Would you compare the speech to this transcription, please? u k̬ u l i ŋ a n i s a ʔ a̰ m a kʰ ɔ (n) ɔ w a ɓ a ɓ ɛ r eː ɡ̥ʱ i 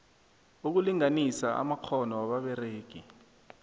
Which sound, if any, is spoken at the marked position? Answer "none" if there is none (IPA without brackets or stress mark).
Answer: n